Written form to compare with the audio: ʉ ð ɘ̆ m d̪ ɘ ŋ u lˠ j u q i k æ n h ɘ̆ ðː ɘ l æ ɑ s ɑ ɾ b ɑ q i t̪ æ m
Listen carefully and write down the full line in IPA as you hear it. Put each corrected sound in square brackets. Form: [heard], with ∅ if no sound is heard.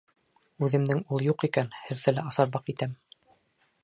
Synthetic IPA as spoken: ʉ ð ɘ̆ m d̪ ɘ ŋ u lˠ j u q i k æ n h ɘ̆ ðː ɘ l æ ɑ s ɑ ɾ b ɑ q i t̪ æ m